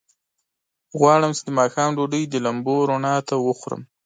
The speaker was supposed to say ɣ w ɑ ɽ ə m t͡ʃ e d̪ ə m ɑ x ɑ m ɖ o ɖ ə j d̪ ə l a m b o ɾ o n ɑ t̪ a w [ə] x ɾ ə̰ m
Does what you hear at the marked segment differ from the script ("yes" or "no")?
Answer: no